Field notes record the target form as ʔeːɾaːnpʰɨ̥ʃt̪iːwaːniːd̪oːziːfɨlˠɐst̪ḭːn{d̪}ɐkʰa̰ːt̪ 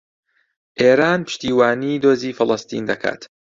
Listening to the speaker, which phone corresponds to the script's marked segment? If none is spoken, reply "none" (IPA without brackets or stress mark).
d̪